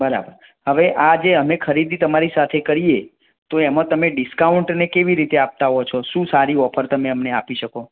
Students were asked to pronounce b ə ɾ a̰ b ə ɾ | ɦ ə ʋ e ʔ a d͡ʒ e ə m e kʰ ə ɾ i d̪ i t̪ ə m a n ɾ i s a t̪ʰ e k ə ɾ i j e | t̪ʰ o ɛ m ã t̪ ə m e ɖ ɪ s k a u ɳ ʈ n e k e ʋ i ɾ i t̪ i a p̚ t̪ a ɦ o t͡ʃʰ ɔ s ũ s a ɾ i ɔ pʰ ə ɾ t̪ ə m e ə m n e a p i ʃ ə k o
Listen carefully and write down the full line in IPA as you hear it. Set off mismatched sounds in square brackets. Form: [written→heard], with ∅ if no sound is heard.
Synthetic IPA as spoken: b ə ɾ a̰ b ə ɾ | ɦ ə ʋ e ʔ a d͡ʒ e ə m e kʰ ə ɾ i d̪ i t̪ ə m a [n→∅] ɾ i s a t̪ʰ e k ə ɾ i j e | [t̪ʰ→t̪] o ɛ m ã t̪ ə m e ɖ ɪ s k a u ɳ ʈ n e k e ʋ i ɾ i t̪ [i→e] a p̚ t̪ a ɦ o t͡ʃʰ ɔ [s→ʃ] ũ s a ɾ i ɔ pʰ ə ɾ t̪ ə m e ə m n e a p i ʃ ə k o